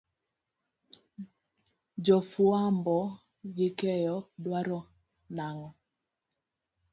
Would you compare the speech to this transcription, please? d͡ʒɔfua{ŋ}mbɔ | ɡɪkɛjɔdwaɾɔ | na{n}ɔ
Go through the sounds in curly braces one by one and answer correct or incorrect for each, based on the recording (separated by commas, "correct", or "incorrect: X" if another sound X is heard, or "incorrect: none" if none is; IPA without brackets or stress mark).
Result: incorrect: none, incorrect: ŋ